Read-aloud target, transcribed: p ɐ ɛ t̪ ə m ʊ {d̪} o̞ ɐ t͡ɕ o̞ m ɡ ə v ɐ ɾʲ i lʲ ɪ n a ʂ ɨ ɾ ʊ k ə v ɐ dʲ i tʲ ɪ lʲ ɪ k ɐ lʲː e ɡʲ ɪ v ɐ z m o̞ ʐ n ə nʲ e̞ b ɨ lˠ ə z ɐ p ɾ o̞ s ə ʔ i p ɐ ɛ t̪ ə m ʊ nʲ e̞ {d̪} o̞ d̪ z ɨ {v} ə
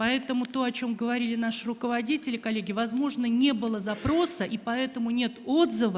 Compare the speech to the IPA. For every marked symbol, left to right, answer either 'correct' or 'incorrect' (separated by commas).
incorrect, incorrect, correct